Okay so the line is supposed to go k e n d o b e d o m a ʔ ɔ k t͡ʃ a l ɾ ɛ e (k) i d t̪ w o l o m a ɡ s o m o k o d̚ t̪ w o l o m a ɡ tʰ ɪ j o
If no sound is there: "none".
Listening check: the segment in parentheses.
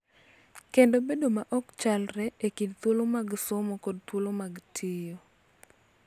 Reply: k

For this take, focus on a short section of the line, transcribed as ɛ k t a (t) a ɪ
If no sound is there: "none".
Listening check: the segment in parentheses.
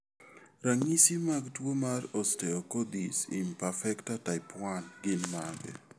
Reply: t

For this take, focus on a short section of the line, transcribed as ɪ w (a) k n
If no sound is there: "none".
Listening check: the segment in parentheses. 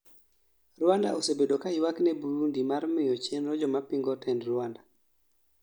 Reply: a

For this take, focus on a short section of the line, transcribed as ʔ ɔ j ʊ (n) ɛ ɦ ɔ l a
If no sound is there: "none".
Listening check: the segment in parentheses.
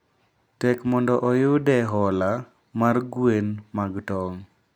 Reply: d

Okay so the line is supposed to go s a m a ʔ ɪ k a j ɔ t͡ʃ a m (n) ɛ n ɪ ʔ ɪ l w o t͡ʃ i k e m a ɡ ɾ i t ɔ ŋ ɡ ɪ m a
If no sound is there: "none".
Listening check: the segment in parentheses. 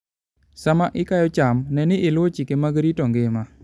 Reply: n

